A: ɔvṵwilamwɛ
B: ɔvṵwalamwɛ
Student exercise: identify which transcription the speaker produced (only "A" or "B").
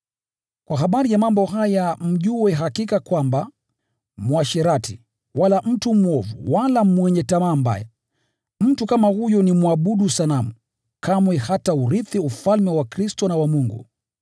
B